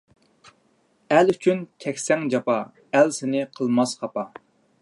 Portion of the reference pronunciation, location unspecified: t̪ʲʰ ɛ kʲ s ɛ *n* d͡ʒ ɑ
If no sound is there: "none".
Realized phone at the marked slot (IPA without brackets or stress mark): ŋ